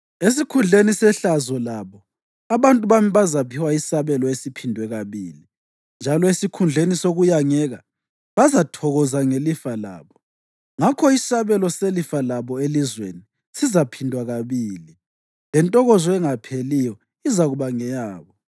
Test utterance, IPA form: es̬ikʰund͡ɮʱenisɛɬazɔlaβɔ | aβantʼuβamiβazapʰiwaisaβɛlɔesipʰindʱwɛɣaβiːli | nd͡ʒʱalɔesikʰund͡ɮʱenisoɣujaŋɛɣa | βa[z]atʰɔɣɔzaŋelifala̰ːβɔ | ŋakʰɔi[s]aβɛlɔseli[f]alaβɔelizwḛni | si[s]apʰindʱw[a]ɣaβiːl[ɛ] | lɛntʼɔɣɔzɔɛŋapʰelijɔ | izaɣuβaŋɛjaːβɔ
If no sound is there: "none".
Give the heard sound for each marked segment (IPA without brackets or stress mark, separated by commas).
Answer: z, s, f, z, a, i